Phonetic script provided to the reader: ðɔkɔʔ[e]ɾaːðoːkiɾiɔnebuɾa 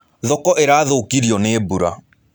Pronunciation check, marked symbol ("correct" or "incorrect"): correct